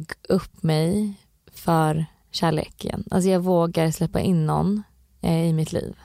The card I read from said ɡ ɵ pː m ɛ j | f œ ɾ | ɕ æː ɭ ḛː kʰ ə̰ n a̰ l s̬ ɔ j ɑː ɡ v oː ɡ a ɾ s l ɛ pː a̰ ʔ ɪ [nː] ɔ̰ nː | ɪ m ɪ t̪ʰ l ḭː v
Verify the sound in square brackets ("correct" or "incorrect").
correct